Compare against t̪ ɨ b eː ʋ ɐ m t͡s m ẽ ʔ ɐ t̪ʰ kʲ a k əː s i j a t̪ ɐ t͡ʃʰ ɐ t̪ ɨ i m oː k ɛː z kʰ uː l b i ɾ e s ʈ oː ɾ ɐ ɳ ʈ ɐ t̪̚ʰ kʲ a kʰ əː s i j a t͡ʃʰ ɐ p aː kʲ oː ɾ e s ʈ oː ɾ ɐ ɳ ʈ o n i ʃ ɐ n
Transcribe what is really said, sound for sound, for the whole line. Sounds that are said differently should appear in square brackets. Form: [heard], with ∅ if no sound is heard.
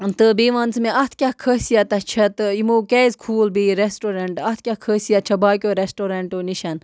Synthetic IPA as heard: t̪ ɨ b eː ʋ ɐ [n] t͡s m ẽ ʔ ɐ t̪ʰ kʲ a [kʰ] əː s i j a t̪ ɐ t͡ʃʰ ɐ t̪ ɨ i m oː k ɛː z kʰ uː l b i ɾ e s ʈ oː ɾ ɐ ɳ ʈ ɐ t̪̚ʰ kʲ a kʰ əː s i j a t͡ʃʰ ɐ [b] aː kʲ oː ɾ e s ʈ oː ɾ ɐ ɳ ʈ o n i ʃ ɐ n